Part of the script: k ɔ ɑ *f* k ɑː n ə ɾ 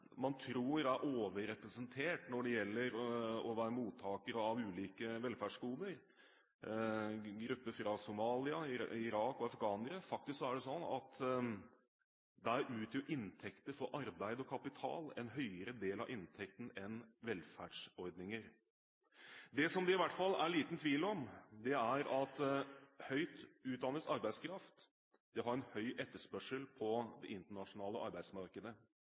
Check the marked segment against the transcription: correct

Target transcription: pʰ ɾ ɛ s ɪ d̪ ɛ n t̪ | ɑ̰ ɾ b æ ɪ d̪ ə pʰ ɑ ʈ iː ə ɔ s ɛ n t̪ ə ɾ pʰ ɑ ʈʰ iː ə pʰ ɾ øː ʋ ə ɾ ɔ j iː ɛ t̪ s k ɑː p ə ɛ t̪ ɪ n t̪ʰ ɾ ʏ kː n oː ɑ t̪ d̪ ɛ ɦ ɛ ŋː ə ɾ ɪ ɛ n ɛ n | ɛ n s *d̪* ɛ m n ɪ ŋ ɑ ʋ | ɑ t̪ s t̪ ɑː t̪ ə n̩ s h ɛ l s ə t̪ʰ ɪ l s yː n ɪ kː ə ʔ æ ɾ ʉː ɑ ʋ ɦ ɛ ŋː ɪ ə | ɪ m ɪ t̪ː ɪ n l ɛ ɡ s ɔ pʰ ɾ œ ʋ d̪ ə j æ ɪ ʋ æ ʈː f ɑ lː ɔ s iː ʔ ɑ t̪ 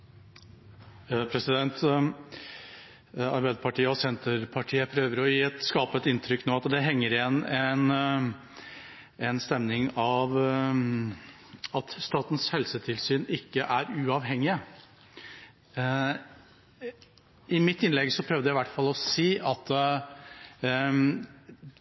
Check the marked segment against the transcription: incorrect: t̪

